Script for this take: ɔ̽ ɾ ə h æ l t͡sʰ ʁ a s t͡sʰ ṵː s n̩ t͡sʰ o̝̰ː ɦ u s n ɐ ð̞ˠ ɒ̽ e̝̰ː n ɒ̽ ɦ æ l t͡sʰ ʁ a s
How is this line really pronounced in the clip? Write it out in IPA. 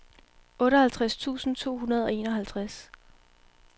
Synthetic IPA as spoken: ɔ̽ ɾ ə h æ l t͡sʰ ʁ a s t͡sʰ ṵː s n̩ t͡sʰ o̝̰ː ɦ u n ɐ ð̞ˠ ɒ̽ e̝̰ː n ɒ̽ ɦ æ l t͡sʰ ʁ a s